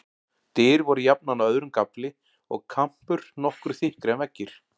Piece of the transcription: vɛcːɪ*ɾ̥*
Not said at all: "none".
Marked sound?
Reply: ɾ̥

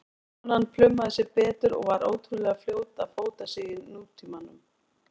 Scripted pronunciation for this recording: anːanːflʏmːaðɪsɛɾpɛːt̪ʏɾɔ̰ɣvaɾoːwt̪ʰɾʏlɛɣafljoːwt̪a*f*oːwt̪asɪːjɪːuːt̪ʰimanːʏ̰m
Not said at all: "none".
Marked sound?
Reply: f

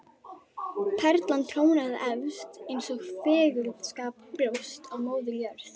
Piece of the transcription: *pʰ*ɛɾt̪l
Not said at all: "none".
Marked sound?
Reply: pʰ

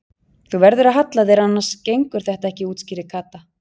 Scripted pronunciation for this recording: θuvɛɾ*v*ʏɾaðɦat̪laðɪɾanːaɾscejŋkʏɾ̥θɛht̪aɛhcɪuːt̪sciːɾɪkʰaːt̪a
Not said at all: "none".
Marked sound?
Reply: ð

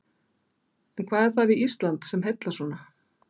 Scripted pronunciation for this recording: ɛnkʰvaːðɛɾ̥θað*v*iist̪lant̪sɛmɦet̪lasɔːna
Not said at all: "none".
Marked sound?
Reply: v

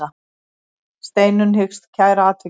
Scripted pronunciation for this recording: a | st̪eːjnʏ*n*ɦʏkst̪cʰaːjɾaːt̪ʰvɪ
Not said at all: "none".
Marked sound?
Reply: n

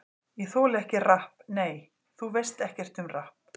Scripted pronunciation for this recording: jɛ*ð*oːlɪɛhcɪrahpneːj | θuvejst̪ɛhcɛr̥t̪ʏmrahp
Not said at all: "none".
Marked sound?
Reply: θ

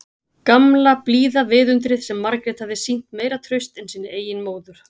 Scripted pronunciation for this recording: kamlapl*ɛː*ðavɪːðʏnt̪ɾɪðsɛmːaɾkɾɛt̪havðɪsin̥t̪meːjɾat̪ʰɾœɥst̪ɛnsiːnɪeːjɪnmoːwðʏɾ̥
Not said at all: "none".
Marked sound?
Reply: iː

